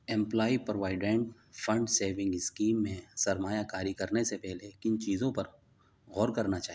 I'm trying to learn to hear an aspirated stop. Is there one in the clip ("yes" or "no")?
no